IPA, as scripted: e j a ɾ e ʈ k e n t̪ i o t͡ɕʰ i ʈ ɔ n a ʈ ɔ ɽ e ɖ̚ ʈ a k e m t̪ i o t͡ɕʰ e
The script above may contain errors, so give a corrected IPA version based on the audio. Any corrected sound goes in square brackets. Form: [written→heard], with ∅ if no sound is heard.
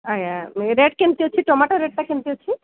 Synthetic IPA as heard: [e→a] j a ɾ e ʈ k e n t̪ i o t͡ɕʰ i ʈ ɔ [n→m] a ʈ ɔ [ɽ→ɾ] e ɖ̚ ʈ a k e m t̪ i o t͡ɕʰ [e→i]